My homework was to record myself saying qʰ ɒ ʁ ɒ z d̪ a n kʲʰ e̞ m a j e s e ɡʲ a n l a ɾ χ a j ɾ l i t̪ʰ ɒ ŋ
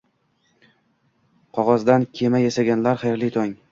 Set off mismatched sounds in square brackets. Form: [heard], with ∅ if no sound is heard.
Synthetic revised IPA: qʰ ɒ ʁ ɒ z d̪ a n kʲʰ e̞ m a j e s [a] ɡʲ a n l a ɾ χ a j ɾ l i t̪ʰ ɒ ŋ